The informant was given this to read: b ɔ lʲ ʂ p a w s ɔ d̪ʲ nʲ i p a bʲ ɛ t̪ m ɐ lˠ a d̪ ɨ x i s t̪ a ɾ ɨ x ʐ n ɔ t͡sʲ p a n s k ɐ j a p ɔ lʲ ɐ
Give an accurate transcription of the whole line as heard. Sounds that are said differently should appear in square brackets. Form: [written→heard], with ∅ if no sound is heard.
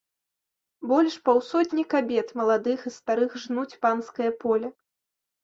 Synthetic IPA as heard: b ɔ lʲ ʂ p a w s ɔ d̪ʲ nʲ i [p→k] a bʲ ɛ t̪ m ɐ lˠ a d̪ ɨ x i s t̪ a ɾ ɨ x ʐ n [ɔ→u] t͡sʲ p a n s k ɐ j [a→ɐ] p ɔ lʲ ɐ